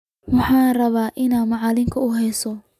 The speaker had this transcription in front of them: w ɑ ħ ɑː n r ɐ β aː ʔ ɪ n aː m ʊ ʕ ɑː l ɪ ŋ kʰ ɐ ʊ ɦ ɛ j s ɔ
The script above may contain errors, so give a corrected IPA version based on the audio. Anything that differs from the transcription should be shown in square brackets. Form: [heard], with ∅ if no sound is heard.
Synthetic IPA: w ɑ ħ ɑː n r ɐ β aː ʔ ɪ n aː m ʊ ʕ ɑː l ɪ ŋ kʰ ɐ ʊ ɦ ɛ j s ɔ